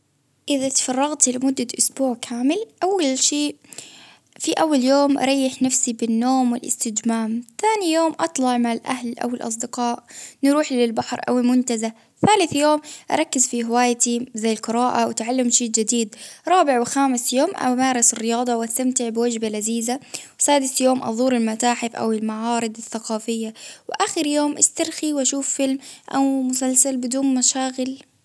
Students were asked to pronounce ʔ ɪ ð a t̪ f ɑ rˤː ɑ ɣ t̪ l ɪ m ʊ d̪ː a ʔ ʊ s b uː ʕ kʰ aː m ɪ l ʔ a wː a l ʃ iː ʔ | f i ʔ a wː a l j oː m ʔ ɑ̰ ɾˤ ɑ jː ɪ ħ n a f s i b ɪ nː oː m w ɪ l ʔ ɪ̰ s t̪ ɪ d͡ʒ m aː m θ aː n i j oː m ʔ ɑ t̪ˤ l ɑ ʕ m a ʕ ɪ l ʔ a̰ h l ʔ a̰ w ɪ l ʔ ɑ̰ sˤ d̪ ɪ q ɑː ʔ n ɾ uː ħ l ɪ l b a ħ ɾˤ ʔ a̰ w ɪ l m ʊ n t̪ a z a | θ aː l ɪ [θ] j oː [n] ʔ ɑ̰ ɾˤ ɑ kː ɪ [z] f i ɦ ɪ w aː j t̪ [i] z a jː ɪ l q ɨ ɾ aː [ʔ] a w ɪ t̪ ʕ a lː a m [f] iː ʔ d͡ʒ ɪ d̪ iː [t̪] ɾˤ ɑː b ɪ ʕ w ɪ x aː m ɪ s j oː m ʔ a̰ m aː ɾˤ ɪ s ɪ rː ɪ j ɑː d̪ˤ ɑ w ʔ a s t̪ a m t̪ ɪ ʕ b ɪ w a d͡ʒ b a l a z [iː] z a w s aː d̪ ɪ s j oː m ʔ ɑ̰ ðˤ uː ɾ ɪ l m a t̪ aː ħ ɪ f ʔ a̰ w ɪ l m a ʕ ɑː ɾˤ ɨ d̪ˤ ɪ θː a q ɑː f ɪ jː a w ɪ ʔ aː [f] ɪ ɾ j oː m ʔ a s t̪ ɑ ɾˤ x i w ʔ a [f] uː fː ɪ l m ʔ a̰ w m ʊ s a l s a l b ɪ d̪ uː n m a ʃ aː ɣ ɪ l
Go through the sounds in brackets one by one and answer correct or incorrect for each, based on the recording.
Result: correct, incorrect, correct, correct, correct, incorrect, incorrect, correct, incorrect, incorrect

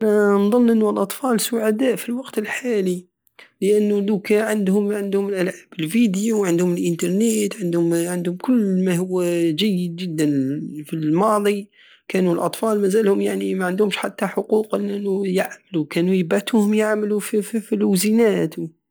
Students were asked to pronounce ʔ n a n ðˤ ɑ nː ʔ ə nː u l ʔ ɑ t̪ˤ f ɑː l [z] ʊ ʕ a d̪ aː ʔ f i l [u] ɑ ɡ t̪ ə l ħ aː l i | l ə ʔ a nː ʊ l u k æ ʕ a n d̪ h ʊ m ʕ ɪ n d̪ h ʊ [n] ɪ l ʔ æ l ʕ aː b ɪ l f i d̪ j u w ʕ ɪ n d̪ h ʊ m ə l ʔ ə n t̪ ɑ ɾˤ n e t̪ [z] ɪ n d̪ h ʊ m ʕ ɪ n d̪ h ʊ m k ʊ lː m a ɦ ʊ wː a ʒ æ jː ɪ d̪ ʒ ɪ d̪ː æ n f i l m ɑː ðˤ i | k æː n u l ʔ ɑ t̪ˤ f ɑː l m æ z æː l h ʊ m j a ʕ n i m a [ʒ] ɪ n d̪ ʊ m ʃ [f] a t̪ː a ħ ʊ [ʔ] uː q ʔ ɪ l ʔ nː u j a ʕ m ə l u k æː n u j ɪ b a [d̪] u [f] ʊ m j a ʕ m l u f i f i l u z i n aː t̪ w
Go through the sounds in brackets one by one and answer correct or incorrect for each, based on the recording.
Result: incorrect, incorrect, incorrect, incorrect, incorrect, incorrect, incorrect, incorrect, incorrect

